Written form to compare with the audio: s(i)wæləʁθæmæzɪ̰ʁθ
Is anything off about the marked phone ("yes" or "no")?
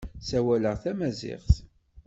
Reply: yes